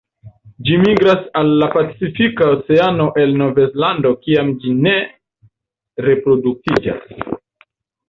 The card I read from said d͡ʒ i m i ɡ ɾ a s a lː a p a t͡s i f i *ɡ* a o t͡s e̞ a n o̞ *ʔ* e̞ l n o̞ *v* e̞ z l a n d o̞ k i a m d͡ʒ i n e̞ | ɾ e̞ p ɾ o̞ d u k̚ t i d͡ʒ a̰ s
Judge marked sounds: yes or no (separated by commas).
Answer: no, yes, yes